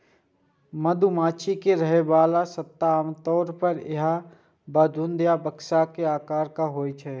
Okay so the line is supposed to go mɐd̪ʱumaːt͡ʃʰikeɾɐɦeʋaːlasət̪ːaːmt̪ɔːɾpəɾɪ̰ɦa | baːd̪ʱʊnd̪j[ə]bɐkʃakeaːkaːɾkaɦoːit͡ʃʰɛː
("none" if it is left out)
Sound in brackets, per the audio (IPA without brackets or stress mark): a